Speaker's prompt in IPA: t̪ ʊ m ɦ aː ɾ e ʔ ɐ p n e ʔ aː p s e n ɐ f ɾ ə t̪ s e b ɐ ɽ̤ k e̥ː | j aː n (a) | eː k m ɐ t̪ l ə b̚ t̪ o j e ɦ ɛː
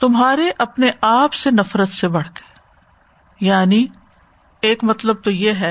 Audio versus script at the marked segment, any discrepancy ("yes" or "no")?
yes